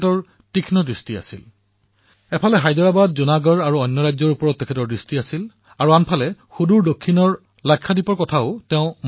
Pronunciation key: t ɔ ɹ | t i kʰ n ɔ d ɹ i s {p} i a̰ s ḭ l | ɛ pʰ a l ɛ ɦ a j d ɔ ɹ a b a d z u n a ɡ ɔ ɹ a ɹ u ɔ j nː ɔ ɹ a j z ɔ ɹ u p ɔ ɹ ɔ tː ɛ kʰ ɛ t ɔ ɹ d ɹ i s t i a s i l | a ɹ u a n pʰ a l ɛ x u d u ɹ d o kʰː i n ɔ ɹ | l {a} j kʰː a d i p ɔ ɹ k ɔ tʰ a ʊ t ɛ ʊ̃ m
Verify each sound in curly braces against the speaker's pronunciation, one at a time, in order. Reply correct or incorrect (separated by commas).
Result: incorrect, correct